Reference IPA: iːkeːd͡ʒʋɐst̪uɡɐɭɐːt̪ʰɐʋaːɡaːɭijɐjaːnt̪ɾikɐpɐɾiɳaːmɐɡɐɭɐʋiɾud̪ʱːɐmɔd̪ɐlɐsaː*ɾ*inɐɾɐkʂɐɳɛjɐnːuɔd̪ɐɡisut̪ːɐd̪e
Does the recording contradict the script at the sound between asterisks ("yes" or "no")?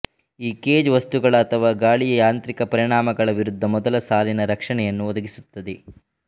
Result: yes